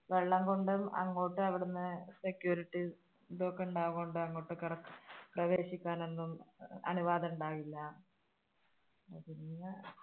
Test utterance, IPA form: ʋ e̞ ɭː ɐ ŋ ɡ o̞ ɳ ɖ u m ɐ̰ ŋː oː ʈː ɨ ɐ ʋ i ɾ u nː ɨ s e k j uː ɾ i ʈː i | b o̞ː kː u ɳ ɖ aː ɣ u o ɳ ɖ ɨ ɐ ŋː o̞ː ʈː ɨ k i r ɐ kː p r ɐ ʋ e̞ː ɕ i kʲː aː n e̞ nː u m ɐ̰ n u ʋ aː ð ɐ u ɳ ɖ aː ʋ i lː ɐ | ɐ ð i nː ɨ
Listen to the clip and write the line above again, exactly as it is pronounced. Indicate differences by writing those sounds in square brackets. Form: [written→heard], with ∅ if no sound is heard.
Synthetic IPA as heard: ʋ e̞ ɭː ɐ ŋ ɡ o̞ ɳ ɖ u m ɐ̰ ŋː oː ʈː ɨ ɐ ʋ i [ɾ→ɽ] u nː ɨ s e k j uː ɾ i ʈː i | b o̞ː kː u ɳ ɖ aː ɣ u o ɳ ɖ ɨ ɐ ŋː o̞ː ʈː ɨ k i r ɐ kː p r ɐ ʋ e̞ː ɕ i kʲː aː n e̞ nː u m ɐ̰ n u ʋ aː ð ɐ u ɳ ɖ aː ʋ i lː ɐ | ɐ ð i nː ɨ